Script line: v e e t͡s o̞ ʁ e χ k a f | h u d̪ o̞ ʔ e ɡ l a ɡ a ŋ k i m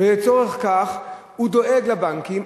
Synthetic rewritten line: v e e t͡s o̞ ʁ e χ k a χ | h u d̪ o̞ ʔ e ɡ l a b a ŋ k i m